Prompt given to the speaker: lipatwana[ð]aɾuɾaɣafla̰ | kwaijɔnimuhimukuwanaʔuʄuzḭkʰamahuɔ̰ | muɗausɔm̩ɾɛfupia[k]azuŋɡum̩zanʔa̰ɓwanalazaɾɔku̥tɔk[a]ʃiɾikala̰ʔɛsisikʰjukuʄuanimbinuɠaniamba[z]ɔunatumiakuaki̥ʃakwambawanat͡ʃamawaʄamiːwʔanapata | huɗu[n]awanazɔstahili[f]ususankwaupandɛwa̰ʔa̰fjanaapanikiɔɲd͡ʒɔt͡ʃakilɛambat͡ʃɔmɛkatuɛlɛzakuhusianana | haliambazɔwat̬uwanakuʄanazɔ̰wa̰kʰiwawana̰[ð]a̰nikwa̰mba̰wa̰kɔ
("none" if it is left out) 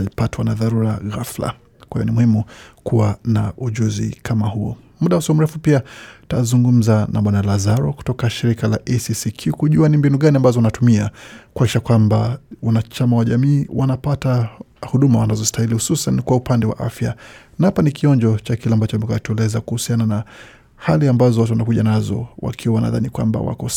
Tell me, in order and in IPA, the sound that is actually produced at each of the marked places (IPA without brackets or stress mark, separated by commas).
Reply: ð, t, a, z, m, h, ð